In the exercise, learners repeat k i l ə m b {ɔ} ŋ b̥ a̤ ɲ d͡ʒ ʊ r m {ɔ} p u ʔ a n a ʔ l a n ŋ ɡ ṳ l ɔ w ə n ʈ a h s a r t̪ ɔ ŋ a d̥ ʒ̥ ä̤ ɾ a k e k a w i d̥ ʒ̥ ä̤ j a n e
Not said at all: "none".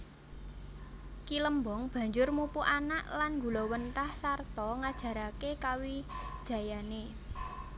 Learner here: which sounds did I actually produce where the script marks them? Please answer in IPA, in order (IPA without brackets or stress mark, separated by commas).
ɔ, u